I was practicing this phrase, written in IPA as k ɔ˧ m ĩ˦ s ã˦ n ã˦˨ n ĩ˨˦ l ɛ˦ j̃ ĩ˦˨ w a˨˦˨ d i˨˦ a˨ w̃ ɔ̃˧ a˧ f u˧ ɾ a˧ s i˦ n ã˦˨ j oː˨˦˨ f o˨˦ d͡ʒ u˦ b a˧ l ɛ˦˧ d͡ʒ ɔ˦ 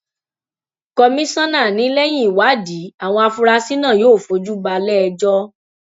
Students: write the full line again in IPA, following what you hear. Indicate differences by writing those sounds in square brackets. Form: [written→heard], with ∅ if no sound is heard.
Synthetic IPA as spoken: k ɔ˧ m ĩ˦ s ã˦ n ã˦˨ n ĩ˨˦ l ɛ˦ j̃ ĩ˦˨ w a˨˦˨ d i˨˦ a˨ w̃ ɔ̃˧ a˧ f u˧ ɾ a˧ s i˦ n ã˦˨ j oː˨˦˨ f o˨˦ d͡ʒ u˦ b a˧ l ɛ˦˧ d͡ʒ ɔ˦